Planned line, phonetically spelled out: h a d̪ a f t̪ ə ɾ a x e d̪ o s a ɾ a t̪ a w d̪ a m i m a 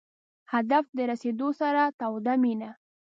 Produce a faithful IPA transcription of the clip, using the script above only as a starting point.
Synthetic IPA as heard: h a d̪ a f d̪ ə ɾ a s e d̪ o s a ɾ a t̪ a w d̪ a m i n a